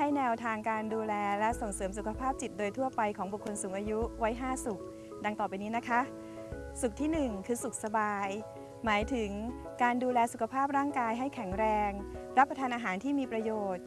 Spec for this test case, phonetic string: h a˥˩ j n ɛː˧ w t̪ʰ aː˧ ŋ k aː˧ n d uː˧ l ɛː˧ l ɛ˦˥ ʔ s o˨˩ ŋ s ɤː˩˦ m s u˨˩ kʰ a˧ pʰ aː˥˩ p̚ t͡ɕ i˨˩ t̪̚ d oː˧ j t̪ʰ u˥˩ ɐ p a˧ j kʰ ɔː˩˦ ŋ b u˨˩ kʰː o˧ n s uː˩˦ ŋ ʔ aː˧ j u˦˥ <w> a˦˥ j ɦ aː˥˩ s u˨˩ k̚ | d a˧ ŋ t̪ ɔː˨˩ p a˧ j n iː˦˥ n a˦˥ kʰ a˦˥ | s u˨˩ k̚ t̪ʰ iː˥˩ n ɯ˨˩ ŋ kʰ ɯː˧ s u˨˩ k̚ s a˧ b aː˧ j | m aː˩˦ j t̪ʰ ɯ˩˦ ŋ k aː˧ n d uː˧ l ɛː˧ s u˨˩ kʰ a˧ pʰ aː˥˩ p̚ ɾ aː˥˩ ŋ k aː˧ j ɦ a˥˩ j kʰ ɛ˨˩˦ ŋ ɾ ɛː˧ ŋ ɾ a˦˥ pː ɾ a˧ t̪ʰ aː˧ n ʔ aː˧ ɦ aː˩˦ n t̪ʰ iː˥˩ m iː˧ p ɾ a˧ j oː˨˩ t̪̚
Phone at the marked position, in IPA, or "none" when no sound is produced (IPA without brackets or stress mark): w